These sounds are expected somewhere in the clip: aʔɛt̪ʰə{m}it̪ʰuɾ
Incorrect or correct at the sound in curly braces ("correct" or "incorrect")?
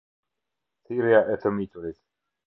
correct